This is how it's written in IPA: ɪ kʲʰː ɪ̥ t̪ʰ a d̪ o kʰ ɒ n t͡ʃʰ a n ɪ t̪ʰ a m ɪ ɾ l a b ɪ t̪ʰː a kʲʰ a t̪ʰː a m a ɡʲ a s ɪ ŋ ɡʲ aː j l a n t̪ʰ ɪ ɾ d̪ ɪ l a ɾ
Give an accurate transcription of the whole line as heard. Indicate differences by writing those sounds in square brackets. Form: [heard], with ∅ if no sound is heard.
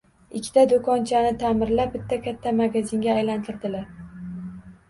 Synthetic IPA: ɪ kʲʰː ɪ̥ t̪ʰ a d̪ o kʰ ɒ n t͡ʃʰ a n ɪ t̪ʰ a m ɪ ɾ l a b ɪ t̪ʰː a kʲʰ a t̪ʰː a m a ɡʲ a [z] ɪ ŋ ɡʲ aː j l a n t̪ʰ ɪ ɾ d̪ ɪ l a ɾ